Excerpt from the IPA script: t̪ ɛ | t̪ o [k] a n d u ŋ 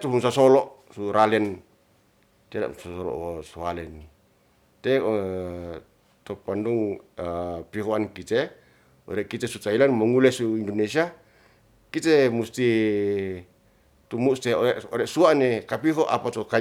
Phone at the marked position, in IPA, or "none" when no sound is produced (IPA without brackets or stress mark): p